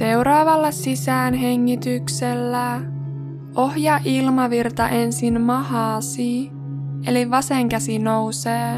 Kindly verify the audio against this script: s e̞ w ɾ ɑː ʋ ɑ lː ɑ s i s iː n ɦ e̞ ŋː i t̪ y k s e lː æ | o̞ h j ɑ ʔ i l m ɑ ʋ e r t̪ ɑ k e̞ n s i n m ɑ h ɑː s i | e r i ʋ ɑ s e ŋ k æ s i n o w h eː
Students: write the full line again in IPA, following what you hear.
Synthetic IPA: s e̞ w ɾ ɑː ʋ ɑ lː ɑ s i s æː n ɦ e̞ ŋː i t̪ y k s e lː æ | o̞ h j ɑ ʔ i l m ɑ ʋ i r t̪ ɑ ʔ e̞ n s i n m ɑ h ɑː s i | e l i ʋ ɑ s e ŋ k æ s i n o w s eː